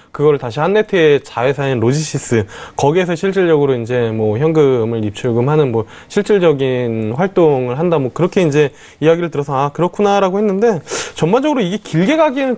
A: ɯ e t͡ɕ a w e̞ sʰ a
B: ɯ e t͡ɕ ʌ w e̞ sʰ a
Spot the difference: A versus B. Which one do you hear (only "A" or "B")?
A